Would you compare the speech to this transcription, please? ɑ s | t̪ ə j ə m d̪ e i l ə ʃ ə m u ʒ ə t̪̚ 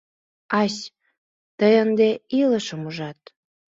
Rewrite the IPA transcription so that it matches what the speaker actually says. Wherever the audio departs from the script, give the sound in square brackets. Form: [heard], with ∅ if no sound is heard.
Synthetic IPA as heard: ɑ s | t̪ ə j ə [n] d̪ e i l ə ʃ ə m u ʒ [ɑ] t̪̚